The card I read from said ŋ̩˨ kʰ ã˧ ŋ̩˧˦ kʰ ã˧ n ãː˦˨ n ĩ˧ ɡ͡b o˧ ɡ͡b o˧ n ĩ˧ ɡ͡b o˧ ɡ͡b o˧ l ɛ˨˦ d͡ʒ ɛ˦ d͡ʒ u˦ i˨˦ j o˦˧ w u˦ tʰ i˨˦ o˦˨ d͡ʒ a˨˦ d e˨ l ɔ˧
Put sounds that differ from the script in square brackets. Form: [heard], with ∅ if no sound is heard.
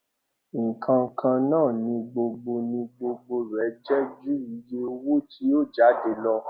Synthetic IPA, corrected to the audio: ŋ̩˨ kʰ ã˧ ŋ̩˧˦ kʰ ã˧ n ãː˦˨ n ĩ˧ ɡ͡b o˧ ɡ͡b o˧ n ĩ˧ ɡ͡b o˧ ɡ͡b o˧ [ɾ] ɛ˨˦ d͡ʒ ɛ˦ d͡ʒ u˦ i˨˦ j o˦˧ w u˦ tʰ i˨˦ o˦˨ d͡ʒ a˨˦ d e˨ l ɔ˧